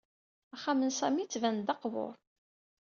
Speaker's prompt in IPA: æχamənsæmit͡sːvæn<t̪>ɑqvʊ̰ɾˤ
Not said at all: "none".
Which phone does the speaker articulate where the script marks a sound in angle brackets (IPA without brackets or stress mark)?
d̪